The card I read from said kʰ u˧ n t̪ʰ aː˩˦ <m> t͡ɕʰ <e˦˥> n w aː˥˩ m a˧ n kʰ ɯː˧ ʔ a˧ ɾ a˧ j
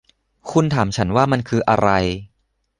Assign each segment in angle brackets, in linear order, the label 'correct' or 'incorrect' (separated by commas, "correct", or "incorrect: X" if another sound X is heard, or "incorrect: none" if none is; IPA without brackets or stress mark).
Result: correct, incorrect: a˦˥